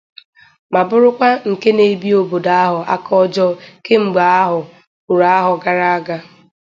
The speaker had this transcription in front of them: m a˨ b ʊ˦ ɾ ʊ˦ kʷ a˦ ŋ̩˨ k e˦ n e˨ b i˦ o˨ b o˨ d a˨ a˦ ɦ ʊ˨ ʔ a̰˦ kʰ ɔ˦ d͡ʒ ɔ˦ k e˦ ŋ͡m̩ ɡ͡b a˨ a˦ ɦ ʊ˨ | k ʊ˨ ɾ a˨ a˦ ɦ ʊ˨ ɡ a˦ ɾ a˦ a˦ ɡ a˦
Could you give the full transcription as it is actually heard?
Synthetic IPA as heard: m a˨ b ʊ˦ ɾ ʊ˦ kʷ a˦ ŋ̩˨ k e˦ n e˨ b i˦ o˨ b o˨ d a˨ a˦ ɦ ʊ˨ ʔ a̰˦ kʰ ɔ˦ d͡ʒ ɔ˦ k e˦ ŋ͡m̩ ɡ͡b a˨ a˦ ɦ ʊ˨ | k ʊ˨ ɾ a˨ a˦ ɦ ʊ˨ ɡ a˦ ɾ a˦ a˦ ɡ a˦